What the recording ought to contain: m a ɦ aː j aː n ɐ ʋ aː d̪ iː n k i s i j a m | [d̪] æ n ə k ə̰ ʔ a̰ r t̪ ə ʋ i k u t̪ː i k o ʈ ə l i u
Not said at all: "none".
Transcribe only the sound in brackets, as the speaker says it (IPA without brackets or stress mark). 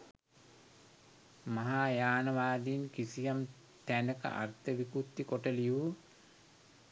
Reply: t̪